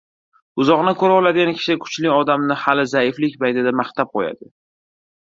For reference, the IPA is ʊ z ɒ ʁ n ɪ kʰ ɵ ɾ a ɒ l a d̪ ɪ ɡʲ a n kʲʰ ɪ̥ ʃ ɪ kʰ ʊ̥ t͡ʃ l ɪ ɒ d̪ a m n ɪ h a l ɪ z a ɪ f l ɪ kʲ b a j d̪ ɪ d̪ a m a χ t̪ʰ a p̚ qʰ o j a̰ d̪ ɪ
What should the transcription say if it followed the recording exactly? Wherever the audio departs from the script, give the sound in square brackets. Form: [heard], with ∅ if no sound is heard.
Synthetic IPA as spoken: ʊ z ɒ ʁ n ɪ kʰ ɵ ɾ a ɒ l a d̪ ɪ ɡʲ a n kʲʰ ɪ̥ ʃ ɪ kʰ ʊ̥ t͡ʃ l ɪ ɒ d̪ a m n ɪ h a l ɪ z a ɪ f l ɪ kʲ b a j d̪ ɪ d̪ a m a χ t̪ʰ a p̚ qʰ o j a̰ d̪ ɪ